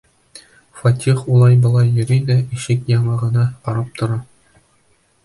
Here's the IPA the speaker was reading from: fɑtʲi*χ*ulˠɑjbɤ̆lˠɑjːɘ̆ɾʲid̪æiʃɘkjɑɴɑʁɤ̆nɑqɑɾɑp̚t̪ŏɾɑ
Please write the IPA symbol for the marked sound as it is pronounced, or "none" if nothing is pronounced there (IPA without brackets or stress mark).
χ